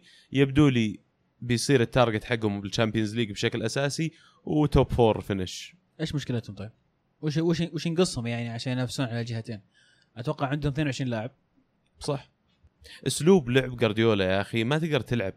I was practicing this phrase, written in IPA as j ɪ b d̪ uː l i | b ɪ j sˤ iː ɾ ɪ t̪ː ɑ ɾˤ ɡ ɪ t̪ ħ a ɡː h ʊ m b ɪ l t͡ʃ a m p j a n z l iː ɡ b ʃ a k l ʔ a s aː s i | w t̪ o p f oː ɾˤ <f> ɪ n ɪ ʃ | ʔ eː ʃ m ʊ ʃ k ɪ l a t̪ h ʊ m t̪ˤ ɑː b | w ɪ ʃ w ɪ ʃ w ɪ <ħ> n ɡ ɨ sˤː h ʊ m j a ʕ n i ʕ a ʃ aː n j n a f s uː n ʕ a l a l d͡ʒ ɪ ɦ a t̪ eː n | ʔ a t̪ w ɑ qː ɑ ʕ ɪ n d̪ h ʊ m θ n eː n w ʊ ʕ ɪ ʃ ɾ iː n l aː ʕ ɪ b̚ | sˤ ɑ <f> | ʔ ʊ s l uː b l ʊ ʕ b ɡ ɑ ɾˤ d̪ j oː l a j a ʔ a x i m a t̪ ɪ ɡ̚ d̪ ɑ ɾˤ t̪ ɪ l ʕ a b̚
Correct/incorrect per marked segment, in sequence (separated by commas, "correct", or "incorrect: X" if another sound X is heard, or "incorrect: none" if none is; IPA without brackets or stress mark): correct, incorrect: ʃ, incorrect: ħ